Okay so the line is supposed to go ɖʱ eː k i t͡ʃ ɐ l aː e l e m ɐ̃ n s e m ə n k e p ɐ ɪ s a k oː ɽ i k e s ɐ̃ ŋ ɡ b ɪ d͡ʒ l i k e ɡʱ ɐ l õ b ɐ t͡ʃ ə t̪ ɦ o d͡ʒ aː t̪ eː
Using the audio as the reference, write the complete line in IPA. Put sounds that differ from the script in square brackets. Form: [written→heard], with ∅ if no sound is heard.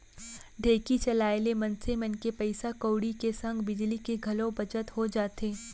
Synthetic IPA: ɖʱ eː k i t͡ʃ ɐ l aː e l e m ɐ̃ n s e m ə n k e p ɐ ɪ s a k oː ɽ i k e s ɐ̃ ŋ ɡ b ɪ d͡ʒ l i k e ɡʱ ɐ l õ b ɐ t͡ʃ ə t̪ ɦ o d͡ʒ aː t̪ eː